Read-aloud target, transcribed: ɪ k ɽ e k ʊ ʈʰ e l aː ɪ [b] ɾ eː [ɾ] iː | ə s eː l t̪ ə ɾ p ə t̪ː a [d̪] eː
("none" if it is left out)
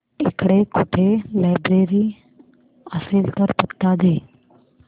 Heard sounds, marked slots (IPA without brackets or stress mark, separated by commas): b, ɾ, d̪